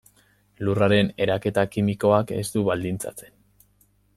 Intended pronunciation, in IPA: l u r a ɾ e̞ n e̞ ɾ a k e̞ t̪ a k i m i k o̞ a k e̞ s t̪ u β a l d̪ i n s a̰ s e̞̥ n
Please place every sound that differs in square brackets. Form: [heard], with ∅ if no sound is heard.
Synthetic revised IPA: l u r a ɾ e̞ n e̞ ɾ a k e̞ t̪ a k i m i k o̞ a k e̞ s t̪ u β a l d̪ i n [t͡s] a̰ [t͡s] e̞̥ n